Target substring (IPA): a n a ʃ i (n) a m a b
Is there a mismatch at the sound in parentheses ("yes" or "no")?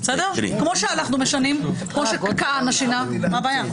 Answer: no